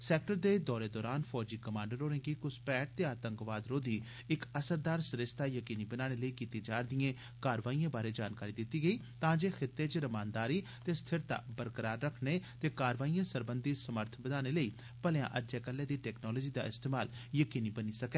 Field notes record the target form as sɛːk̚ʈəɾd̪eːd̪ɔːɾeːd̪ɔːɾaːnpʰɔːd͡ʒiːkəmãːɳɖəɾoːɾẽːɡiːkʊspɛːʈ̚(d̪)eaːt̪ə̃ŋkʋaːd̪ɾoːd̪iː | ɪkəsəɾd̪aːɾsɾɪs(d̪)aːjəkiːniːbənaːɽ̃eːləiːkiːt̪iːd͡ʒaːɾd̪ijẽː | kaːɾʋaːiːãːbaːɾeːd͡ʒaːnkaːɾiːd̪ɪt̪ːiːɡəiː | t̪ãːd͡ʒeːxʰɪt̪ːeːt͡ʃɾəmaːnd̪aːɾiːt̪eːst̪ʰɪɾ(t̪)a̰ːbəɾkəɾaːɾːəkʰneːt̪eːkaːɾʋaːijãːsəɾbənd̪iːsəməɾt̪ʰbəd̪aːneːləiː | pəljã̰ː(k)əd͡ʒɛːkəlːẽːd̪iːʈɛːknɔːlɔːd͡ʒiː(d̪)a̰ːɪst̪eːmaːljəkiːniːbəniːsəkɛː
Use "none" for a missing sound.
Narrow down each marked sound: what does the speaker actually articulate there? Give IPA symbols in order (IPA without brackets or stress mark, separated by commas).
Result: t̪, t̪, t̪, ʔ, d̪